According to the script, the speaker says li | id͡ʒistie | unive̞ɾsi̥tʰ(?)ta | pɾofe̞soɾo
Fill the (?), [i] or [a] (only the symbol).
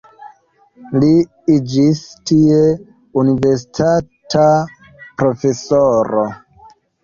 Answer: a